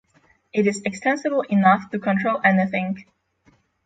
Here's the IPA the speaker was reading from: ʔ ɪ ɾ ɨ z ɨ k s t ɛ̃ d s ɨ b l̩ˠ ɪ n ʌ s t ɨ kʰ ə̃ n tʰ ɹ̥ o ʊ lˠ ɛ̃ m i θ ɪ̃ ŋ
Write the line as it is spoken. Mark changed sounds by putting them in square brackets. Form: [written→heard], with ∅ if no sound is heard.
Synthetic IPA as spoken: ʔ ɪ ɾ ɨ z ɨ k s t ɛ̃ [d→n] s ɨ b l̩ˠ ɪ n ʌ [s→f] t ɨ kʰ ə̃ n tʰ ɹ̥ o ʊ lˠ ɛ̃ [m→n] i θ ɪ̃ ŋ

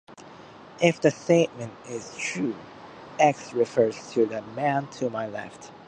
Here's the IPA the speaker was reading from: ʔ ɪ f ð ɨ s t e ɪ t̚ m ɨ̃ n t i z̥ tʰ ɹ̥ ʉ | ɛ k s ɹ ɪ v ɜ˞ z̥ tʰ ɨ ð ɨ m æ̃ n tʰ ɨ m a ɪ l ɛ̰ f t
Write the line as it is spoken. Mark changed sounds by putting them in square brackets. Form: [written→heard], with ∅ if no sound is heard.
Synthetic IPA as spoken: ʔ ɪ f ð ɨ s t e ɪ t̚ m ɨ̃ n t [i→ɪ] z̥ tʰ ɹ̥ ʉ | ɛ k s ɹ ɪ [v→f] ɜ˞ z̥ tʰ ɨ ð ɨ m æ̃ n tʰ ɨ m a ɪ l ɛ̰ f t

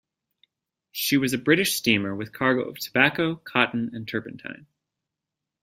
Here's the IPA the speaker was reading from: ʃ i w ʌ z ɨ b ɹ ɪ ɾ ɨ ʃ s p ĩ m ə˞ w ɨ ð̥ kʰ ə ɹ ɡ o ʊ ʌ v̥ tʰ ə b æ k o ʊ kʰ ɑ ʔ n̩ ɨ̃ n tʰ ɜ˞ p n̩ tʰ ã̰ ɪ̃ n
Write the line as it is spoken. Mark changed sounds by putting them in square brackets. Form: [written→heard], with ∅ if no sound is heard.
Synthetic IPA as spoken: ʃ i w ʌ z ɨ b ɹ ɪ ɾ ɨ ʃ s [p→t] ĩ m ə˞ w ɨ ð̥ kʰ [ə→ɑ] ɹ ɡ o ʊ ʌ v̥ tʰ ə b æ k o ʊ kʰ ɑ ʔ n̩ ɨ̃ n tʰ ɜ˞ p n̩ tʰ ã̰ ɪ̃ n

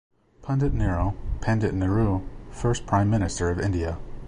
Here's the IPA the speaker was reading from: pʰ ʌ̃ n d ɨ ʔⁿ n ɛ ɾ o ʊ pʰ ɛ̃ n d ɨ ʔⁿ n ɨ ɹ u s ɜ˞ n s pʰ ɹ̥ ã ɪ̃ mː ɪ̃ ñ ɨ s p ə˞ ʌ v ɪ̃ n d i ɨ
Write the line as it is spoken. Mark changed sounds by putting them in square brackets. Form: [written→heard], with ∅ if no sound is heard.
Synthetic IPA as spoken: pʰ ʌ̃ n d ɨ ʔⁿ n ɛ [ɾ→ɹ] o ʊ pʰ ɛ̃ n d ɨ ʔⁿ n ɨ ɹ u [s→f] ɜ˞ [n→∅] s pʰ ɹ̥ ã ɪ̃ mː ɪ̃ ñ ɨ s [p→t] ə˞ ʌ v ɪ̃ n d i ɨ

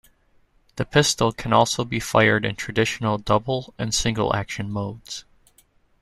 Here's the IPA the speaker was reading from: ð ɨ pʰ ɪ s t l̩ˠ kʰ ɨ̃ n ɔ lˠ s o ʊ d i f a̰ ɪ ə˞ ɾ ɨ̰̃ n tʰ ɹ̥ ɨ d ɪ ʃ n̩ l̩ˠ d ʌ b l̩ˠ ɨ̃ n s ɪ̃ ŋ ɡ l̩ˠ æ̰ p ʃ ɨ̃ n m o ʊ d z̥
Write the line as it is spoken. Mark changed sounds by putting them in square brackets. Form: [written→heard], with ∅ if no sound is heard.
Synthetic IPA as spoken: ð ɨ pʰ ɪ s t l̩ˠ kʰ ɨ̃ n ɔ lˠ s o ʊ [d→b] i f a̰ ɪ ə˞ ɾ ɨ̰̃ n tʰ ɹ̥ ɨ d ɪ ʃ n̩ l̩ˠ d ʌ b l̩ˠ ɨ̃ n s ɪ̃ ŋ ɡ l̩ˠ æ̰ [p→k] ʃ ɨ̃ n m o ʊ d z̥

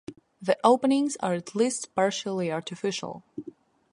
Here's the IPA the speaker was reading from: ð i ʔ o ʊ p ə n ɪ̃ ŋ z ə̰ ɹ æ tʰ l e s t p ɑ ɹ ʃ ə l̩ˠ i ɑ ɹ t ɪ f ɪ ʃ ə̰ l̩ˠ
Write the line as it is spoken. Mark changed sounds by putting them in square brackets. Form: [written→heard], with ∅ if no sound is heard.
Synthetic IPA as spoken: ð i ʔ o ʊ p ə n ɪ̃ ŋ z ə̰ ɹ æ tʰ l [e→i] s t p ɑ ɹ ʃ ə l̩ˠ i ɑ ɹ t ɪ f ɪ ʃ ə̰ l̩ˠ

